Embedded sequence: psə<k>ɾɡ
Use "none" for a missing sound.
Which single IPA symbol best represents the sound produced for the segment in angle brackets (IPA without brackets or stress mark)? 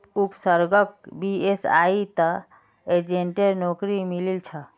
none